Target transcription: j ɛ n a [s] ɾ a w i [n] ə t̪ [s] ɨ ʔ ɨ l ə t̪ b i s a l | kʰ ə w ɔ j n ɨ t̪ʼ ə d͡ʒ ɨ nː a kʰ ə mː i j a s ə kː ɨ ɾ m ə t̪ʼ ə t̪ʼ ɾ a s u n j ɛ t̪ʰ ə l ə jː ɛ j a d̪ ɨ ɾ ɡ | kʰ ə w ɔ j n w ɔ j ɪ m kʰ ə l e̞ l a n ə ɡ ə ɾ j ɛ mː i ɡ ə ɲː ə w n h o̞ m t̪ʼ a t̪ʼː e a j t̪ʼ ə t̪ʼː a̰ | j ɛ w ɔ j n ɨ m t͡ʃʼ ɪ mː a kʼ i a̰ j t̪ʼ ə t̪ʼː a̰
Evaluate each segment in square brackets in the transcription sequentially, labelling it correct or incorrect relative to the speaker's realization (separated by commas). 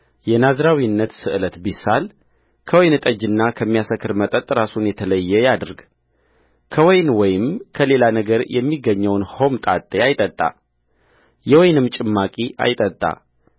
incorrect, incorrect, correct